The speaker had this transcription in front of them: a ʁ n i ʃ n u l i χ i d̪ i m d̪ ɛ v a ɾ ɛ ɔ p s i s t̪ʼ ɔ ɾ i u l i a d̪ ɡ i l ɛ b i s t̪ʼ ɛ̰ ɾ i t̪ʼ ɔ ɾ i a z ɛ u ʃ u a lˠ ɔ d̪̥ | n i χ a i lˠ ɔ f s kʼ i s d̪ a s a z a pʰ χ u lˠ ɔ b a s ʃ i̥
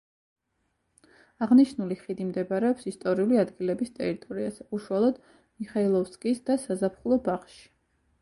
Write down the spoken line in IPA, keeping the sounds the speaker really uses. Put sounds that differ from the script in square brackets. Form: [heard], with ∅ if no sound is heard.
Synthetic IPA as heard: a ʁ n i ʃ n u l i χ i d̪ i m d̪ ɛ [b] a ɾ ɛ ɔ p s i s t̪ʼ ɔ ɾ i u l i a d̪ ɡ i l ɛ b i s t̪ʼ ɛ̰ ɾ i t̪ʼ ɔ ɾ i a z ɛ u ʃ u a lˠ ɔ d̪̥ | [m] i χ a i lˠ ɔ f s kʼ i s d̪ a s a z a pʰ χ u lˠ ɔ b a [χ] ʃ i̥